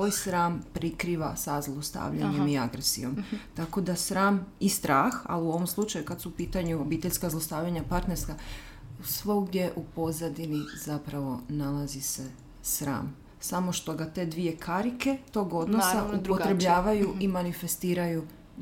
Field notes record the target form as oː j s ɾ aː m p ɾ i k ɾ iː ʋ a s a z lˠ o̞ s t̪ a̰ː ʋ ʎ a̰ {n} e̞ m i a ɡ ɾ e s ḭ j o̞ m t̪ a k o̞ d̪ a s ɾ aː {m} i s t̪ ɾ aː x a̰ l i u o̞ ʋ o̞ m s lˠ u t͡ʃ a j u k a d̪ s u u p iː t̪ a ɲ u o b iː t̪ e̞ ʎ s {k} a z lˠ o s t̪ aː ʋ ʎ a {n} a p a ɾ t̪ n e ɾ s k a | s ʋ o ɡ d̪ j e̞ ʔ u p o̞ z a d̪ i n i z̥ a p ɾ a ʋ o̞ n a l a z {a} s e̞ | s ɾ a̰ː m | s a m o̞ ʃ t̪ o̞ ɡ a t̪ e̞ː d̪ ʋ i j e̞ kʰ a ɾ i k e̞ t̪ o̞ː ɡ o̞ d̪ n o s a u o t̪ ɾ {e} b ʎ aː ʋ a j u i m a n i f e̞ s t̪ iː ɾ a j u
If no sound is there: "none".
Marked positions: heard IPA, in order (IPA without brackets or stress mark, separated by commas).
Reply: ɲ, m, k, ɲ, i, e